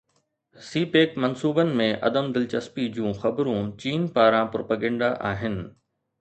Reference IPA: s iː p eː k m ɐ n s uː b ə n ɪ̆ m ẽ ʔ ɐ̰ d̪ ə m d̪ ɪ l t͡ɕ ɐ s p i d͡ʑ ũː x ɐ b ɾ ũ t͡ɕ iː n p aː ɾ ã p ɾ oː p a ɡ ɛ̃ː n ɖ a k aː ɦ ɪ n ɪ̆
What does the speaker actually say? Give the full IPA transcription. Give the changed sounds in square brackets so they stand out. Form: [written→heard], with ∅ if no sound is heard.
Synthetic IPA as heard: s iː p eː k m ɐ n s uː b ə n ɪ̆ m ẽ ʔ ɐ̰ d̪ ə m d̪ ɪ l t͡ɕ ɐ s p i d͡ʑ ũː x ɐ b ɾ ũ t͡ɕ iː n p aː ɾ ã p ɾ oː p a ɡ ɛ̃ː [n→ɳ] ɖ a [k→ʔ] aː ɦ ɪ n ɪ̆